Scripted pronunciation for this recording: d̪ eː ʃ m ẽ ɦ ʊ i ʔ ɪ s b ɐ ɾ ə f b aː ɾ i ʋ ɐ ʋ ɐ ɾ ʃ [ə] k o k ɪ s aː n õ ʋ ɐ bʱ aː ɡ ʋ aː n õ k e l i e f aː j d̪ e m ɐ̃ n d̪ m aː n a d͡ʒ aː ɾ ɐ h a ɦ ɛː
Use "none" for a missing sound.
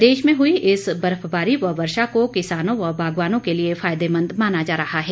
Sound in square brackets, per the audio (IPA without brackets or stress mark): a